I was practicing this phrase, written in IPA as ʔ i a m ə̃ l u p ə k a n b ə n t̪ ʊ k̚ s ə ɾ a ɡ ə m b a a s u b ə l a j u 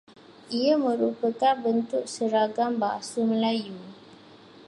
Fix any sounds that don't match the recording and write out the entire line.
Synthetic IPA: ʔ i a m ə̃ ɾ u p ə k a n b ə n t̪ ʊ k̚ s ə ɾ a ɡ a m b a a s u m ə l a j u